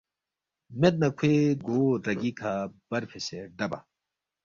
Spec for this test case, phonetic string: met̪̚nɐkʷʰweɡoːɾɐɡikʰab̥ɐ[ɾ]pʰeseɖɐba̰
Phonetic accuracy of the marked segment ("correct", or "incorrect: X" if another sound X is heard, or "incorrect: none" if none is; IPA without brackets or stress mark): correct